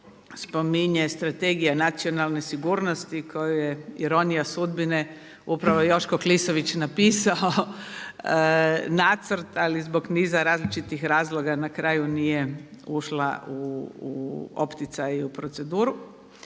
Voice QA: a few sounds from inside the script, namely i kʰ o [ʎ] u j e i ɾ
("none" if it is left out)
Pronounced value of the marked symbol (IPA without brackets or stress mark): j